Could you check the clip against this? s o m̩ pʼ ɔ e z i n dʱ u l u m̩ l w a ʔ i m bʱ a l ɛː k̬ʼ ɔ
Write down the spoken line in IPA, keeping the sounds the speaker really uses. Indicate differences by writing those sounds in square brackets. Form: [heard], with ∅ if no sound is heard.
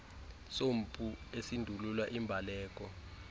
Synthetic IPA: s o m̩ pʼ [u] e [s] i n dʱ u l u [∅] l w a ʔ i m bʱ a l ɛː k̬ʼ ɔ